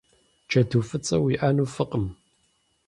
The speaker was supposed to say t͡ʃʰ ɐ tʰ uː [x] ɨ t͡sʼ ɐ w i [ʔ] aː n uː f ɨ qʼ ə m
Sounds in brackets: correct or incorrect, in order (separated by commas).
incorrect, correct